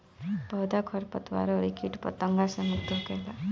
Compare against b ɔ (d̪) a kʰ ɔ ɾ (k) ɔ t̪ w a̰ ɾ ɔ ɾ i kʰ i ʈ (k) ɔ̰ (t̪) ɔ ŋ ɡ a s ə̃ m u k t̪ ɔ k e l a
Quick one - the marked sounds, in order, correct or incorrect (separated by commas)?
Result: correct, incorrect, incorrect, correct